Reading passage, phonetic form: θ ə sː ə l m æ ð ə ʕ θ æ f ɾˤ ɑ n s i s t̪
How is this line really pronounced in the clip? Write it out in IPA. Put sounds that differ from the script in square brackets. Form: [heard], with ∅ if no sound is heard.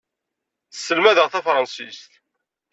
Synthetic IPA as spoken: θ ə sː ə l m æ ð ə [ʁ] θ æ f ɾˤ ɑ n s i s t̪